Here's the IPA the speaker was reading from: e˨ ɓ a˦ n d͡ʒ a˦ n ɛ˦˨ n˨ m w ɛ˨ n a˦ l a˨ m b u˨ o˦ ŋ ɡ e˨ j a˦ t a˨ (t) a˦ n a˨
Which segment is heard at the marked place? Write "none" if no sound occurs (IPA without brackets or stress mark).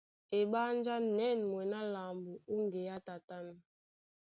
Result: t